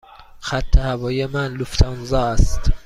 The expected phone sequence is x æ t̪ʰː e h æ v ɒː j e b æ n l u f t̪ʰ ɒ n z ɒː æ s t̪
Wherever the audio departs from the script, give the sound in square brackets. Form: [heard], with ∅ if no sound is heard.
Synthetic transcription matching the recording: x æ t̪ʰː e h æ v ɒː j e [m] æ n l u f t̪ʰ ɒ n z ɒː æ s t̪